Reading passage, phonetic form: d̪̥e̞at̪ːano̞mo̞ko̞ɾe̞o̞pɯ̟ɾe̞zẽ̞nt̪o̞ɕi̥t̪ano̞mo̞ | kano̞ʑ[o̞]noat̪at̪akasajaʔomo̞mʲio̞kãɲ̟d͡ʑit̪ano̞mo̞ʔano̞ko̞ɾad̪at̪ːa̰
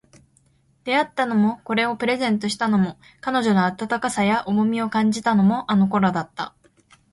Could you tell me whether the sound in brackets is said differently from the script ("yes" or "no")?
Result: no